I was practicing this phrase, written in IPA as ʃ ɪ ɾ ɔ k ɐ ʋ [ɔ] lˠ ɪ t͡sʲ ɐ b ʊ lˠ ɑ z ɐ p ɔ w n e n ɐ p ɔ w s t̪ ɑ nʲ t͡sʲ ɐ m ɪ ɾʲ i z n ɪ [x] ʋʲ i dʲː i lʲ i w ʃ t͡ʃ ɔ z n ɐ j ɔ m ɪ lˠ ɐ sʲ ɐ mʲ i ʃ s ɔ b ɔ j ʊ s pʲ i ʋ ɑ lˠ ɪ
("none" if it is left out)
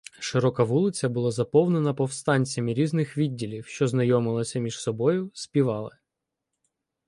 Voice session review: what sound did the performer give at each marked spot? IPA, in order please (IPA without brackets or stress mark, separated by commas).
u, x